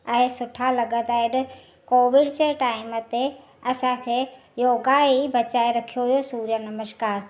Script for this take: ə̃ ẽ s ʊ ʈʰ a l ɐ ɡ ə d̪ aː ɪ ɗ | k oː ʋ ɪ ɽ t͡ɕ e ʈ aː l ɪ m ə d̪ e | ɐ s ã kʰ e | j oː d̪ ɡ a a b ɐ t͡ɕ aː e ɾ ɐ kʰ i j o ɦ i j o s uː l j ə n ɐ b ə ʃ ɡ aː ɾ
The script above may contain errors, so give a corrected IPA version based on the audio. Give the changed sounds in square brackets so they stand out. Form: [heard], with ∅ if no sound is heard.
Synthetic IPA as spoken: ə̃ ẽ s ʊ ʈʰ a l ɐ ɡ ə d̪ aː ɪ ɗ | k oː ʋ ɪ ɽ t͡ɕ e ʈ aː [∅] ɪ m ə [t̪] e | ɐ s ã kʰ e | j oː [∅] ɡ a [i] b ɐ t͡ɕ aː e ɾ ɐ kʰ i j o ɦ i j o s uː [ɾ] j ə n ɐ [m] ə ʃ [k] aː ɾ